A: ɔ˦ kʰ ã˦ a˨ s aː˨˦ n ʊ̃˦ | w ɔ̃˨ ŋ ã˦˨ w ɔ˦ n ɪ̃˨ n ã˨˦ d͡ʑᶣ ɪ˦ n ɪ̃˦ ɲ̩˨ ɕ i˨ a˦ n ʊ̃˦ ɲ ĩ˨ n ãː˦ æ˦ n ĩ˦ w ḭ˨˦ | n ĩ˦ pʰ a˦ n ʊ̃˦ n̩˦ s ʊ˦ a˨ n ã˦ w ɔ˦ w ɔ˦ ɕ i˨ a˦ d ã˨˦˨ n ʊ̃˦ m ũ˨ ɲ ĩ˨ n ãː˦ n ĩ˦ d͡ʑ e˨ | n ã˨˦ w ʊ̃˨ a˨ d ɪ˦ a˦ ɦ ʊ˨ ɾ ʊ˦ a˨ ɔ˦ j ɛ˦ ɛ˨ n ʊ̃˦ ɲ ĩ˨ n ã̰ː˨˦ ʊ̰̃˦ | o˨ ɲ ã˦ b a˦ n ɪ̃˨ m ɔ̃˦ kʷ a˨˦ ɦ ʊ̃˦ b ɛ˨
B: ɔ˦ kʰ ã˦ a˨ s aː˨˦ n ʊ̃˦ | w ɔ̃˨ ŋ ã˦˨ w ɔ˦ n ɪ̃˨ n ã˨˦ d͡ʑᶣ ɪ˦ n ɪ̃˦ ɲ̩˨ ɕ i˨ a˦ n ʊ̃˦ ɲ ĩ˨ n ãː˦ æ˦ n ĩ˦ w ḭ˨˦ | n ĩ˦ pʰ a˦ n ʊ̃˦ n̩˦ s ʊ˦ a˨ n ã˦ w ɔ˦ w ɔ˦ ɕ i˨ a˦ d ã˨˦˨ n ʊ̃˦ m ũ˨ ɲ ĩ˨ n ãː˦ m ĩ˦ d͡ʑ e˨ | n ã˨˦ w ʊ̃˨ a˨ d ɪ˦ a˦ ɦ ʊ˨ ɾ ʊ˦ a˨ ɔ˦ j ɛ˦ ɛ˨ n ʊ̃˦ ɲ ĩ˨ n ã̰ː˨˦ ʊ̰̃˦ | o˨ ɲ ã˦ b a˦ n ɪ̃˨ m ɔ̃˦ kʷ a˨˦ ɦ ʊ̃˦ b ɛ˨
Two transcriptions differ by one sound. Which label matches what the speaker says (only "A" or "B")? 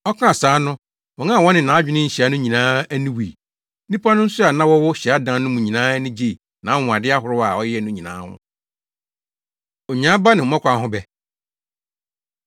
A